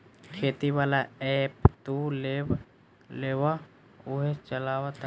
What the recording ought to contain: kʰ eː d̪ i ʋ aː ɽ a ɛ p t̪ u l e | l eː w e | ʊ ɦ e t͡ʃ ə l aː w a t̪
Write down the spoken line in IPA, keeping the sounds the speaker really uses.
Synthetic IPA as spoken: kʰ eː t̪ i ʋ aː l a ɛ p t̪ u l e | l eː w a | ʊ ɦ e t͡ʃ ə l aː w a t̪